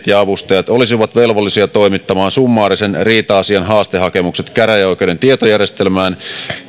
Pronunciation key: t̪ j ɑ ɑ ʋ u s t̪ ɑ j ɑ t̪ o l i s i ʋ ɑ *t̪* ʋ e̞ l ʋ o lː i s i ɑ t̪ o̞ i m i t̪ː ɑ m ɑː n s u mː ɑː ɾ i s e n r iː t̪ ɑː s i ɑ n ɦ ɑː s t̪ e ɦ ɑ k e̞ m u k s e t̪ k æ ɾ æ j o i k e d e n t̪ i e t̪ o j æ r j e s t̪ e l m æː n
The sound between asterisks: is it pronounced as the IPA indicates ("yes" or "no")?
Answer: yes